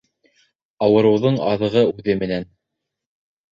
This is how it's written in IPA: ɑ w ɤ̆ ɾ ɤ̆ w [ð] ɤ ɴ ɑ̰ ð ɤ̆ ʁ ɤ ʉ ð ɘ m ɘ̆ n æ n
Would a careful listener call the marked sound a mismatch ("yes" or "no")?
no